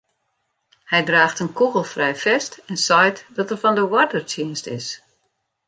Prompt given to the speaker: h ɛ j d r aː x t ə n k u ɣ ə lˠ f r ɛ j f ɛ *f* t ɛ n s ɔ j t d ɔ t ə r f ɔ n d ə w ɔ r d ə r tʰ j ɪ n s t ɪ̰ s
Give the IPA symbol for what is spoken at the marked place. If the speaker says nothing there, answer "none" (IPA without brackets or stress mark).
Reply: s